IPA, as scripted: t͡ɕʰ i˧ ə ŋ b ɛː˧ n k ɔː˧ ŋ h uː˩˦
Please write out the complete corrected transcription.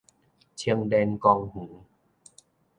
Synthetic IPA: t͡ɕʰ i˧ ə ŋ d ɛː˧ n k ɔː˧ ŋ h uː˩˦